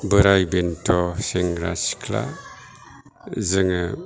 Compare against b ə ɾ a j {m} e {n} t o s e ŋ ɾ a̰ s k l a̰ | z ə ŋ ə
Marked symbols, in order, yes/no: no, yes

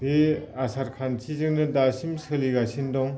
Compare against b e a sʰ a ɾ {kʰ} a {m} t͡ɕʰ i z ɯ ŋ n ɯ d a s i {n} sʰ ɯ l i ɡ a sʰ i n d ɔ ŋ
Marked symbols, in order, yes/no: yes, no, no

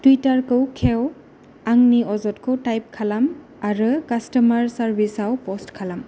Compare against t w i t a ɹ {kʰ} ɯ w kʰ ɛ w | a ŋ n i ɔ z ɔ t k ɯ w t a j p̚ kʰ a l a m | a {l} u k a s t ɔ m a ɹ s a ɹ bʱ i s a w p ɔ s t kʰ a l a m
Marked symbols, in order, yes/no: no, no

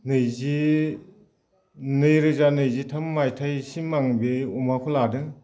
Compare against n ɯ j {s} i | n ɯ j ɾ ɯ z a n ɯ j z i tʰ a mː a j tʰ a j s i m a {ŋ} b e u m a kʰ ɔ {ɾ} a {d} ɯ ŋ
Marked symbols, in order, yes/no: no, yes, no, yes

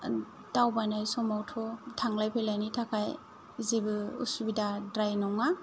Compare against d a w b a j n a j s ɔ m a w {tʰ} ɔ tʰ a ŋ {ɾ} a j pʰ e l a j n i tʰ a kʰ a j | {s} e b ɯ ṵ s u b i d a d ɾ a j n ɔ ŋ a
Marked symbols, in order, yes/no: yes, no, no

